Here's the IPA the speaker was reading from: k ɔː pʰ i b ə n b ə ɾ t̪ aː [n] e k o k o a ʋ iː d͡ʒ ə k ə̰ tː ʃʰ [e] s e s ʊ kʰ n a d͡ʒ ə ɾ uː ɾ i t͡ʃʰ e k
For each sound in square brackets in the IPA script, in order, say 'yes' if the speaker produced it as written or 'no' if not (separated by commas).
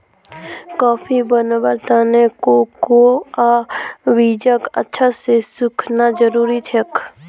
yes, no